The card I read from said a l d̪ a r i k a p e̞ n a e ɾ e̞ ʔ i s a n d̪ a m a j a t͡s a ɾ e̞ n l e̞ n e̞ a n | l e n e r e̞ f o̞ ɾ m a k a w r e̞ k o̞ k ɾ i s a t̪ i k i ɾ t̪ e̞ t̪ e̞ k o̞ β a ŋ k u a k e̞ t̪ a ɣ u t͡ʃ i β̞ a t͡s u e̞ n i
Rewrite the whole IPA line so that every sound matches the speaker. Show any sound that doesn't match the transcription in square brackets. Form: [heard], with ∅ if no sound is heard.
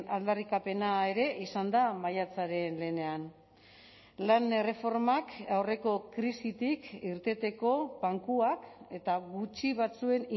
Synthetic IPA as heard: a l d̪ a r i k a p e̞ n a e ɾ e̞ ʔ i s a n d̪ a m a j a t͡s a ɾ e̞ n l e̞ n e̞ a n | l [a] n e r e̞ f o̞ ɾ m a k a w r e̞ k o̞ k ɾ i s [i] t̪ i k i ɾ t̪ e̞ t̪ e̞ k o̞ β a ŋ k u a k e̞ t̪ a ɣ u t͡ʃ i β̞ a t͡s u e̞ n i